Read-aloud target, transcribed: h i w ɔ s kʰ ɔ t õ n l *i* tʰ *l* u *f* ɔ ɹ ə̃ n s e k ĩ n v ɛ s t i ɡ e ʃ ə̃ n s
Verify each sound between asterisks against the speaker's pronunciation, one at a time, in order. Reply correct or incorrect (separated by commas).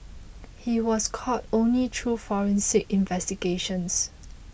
correct, incorrect, correct